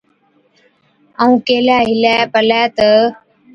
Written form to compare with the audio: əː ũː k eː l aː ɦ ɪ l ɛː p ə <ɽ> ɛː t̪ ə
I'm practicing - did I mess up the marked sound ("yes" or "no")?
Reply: yes